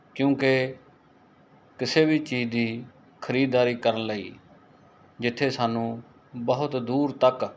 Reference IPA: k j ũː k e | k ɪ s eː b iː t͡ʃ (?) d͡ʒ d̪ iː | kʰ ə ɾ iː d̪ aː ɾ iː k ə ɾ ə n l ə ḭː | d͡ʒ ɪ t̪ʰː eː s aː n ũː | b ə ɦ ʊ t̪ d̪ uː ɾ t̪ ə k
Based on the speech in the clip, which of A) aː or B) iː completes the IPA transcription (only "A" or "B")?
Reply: B